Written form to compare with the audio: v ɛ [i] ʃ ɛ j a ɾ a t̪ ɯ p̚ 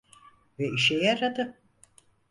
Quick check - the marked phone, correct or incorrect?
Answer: correct